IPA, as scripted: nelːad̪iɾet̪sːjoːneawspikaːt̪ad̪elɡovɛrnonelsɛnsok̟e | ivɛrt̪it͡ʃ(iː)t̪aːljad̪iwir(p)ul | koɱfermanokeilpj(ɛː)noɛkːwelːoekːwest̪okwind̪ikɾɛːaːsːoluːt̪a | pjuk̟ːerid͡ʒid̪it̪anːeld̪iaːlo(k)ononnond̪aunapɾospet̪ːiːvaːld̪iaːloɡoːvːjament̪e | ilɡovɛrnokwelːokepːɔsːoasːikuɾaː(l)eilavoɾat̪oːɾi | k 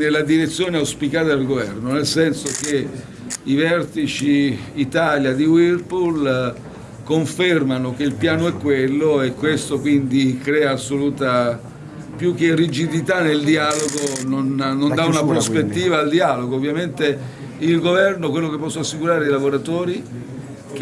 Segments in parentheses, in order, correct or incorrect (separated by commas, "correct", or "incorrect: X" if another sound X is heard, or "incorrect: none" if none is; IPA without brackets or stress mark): correct, correct, incorrect: aː, incorrect: ɡ, incorrect: ɾ